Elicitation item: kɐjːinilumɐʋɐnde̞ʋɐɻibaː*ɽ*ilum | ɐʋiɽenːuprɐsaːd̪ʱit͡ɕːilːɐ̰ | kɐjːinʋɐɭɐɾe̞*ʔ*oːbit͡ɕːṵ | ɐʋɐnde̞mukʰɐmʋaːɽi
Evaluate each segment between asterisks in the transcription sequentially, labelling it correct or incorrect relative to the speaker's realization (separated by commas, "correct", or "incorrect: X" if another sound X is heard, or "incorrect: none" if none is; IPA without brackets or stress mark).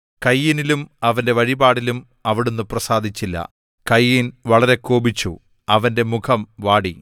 correct, incorrect: k